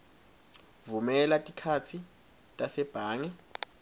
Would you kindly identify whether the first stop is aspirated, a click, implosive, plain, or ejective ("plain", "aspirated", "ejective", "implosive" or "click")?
ejective